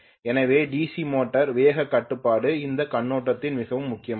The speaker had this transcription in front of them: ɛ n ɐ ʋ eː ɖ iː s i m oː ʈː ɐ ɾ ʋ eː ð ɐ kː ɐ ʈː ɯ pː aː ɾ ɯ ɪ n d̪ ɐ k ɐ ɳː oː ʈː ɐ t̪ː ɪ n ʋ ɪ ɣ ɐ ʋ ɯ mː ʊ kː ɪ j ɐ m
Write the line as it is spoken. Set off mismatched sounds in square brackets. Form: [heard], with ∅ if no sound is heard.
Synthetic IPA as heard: ɛ n ɐ ʋ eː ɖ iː s i m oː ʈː ɐ ɾ ʋ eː [ɣ] ɐ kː ɐ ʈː ɯ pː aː [ɽ] ɯ ɪ n d̪ ɐ k ɐ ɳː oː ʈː ɐ t̪ː ɪ n ʋ ɪ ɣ ɐ ʋ ɯ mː ʊ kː ɪ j ɐ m

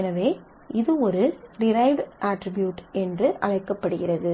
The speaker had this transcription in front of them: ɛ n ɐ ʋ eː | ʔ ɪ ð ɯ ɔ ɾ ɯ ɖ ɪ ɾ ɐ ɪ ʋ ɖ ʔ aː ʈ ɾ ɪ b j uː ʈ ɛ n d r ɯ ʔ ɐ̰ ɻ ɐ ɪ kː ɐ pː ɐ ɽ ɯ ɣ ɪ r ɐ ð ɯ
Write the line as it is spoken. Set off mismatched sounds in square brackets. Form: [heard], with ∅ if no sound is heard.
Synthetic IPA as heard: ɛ n ɐ ʋ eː | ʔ ɪ ð ɯ ɔ ɾ ɯ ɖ ɪ ɾ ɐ ɪ ʋ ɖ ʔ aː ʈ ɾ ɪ b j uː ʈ ɛ n d r ɯ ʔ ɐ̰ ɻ ɐ ɪ kː ɐ pː ɐ ɽ ɯ ɣ ɪ r ɐ ð ɯ

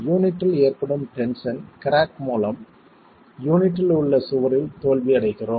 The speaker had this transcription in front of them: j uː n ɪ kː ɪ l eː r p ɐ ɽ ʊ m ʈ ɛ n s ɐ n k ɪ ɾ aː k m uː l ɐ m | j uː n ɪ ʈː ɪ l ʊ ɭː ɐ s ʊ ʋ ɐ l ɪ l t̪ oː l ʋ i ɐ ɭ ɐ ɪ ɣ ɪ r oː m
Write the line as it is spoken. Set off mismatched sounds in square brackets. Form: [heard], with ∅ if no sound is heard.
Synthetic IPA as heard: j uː n ɪ [ʈː] ɪ l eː r p ɐ ɽ [ɯ] m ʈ ɛ n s ɐ n k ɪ ɾ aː k m uː l ɐ m | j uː n ɪ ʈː ɪ l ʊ ɭː ɐ s ʊ ʋ ɐ [ɾ] ɪ l t̪ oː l ʋ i ɐ [ɽ] ɐ ɪ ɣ ɪ r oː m

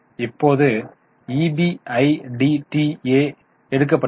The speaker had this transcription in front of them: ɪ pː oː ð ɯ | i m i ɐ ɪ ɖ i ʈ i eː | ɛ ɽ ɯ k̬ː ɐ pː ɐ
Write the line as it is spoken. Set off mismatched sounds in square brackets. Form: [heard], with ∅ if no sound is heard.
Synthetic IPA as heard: ɪ pː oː ð ɯ | i [b] i ɐ ɪ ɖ i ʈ i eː | ɛ ɽ ɯ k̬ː ɐ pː ɐ

